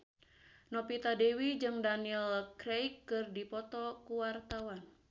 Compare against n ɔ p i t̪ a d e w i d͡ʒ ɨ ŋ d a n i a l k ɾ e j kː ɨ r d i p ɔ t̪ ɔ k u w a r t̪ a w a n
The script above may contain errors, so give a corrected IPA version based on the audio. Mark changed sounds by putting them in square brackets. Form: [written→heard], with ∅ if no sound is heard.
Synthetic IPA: n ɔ p i t̪ a d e w i d͡ʒ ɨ ŋ d a n i [a→ɛ] l k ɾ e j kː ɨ r d i p ɔ t̪ ɔ k u w a r t̪ a w a n